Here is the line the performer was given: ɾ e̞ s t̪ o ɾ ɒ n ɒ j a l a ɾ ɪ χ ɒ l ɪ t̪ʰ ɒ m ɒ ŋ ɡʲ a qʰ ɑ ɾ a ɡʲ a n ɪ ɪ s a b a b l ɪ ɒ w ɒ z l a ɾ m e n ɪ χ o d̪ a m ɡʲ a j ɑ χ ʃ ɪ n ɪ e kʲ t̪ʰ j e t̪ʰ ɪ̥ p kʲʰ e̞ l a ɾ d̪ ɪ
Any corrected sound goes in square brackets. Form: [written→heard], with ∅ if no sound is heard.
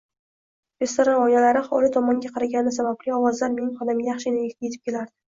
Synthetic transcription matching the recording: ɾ e̞ s t̪ o ɾ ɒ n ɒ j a l a ɾ ɪ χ ɒ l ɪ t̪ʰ ɒ m ɒ ŋ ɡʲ a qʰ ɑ ɾ a ɡʲ a n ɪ ɪ s a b a b l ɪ ɒ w ɒ z l a ɾ m e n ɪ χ [o→ɒ] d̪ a m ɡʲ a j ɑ χ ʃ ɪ n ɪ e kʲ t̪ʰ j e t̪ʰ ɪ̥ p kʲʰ e̞ l a ɾ d̪ ɪ